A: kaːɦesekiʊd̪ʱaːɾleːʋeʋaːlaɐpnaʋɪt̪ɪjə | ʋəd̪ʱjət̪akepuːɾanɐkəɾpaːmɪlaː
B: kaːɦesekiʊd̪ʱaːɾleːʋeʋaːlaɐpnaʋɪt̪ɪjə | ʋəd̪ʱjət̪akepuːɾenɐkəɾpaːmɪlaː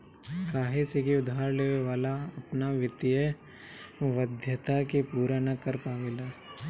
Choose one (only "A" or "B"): A